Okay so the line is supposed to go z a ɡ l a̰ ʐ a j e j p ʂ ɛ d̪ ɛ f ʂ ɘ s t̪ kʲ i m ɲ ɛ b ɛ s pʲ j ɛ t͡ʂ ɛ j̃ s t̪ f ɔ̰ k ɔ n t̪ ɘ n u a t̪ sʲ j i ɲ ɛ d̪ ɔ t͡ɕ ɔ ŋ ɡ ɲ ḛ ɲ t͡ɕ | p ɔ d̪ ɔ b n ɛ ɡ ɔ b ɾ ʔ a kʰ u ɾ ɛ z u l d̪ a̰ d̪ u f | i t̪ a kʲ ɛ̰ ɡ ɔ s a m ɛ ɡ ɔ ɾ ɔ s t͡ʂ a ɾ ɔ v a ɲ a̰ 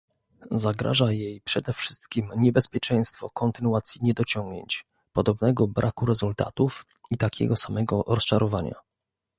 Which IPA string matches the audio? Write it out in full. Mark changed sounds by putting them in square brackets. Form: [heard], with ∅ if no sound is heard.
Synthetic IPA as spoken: z a ɡ [ɾ] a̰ ʐ a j e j p ʂ ɛ d̪ ɛ f ʂ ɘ s t̪ kʲ i m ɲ ɛ b ɛ s pʲ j ɛ t͡ʂ ɛ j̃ s t̪ f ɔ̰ k ɔ n t̪ ɘ n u a t̪ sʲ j i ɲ ɛ d̪ ɔ t͡ɕ ɔ ŋ ɡ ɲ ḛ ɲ t͡ɕ | p ɔ d̪ ɔ b n ɛ ɡ ɔ b ɾ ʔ a [k] u ɾ ɛ z u l [t̪] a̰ [t̪] u f | i t̪ a kʲ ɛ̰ ɡ ɔ s a m ɛ ɡ ɔ ɾ ɔ s t͡ʂ a ɾ ɔ v a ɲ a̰